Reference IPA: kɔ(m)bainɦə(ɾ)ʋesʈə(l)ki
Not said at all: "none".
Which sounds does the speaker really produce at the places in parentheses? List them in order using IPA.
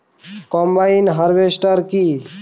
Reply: m, ɾ, ɾ

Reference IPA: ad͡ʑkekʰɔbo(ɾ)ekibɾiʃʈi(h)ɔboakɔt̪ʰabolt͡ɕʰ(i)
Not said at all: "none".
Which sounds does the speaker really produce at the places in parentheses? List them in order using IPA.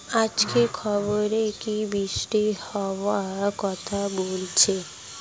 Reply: ɾ, h, e

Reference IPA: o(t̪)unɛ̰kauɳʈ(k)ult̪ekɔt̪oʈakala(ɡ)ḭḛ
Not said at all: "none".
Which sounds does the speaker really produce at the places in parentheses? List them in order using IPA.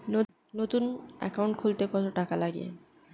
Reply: t̪, kʰ, ɡ

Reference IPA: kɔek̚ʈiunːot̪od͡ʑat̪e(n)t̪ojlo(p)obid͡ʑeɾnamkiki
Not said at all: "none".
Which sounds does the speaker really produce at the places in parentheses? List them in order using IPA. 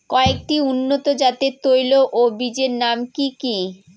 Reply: none, ʔ

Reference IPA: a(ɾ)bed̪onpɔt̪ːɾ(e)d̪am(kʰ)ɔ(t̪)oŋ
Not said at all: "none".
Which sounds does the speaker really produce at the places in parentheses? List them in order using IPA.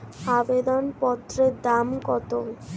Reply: none, e, k, t̪

